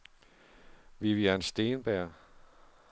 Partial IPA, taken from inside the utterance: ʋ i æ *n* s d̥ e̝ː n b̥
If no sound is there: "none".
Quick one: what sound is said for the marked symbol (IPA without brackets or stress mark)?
n